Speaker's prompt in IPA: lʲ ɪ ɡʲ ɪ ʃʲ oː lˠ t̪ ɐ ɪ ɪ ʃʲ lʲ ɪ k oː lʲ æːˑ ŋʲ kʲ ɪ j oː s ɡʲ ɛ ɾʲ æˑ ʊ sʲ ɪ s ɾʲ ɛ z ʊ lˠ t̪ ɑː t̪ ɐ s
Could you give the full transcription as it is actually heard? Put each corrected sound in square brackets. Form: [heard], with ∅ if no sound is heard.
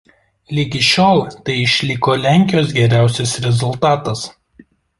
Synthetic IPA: lʲ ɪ ɡʲ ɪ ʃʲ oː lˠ t̪ ɐ ɪ ɪ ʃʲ lʲ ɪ k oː lʲ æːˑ ŋʲ kʲ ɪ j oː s ɡʲ ɛ ɾʲ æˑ ʊ sʲ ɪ s ɾʲ ɛ z ʊ lˠ t̪ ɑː t̪ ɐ s